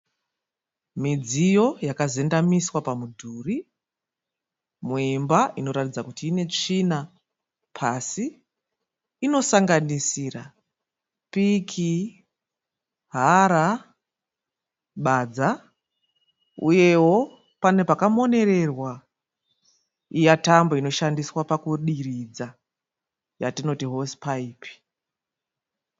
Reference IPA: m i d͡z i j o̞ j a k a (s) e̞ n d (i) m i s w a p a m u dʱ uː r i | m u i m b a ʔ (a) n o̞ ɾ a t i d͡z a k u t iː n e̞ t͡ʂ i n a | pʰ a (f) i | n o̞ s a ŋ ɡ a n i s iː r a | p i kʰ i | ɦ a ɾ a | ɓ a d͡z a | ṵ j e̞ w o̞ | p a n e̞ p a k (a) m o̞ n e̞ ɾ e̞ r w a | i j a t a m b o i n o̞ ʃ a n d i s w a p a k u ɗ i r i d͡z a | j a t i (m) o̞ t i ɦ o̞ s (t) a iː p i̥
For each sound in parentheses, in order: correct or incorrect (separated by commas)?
incorrect, incorrect, incorrect, incorrect, correct, incorrect, incorrect